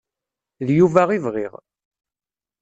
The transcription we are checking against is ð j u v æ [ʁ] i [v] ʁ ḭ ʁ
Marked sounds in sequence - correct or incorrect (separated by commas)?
correct, correct